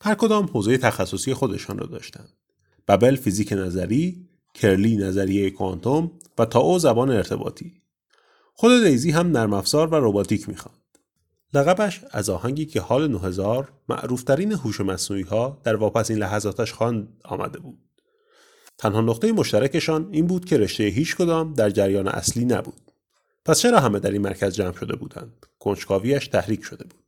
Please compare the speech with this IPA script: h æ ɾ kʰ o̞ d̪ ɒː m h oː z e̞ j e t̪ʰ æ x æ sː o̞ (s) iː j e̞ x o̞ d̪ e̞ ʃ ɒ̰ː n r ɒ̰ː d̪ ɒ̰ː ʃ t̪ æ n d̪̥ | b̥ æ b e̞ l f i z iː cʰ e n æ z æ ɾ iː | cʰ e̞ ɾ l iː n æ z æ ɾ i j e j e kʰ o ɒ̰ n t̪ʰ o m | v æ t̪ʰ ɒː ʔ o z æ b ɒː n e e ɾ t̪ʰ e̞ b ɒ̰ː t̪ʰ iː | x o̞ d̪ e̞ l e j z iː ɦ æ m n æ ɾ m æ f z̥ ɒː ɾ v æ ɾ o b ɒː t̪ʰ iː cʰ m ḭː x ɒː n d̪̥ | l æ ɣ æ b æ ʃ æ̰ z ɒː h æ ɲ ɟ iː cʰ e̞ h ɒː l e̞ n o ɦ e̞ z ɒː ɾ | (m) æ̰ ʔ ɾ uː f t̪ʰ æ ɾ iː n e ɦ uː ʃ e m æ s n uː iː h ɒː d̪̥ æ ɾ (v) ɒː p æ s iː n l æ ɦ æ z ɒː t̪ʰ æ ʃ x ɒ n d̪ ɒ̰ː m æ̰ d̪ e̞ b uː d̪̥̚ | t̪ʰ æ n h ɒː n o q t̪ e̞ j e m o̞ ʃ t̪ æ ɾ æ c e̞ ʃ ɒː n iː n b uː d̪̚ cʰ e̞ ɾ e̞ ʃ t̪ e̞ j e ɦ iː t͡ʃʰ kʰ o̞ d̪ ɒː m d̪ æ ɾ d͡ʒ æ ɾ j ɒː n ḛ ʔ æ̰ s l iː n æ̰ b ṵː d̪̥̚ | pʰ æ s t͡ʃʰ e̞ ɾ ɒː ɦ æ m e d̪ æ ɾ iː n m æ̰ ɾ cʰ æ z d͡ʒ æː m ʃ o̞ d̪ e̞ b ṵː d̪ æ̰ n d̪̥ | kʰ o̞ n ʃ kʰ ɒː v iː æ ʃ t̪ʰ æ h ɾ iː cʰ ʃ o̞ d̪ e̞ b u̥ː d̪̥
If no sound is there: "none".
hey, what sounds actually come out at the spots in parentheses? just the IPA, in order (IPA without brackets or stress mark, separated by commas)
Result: s, m, v